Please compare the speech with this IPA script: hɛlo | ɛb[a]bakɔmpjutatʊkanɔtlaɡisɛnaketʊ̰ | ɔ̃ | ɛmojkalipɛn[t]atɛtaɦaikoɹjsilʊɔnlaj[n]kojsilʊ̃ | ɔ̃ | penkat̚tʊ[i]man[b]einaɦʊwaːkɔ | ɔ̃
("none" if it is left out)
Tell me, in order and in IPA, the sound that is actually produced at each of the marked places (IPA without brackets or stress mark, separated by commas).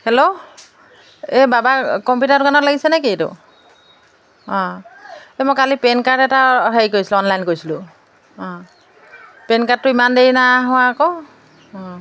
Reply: a, k, n, i, d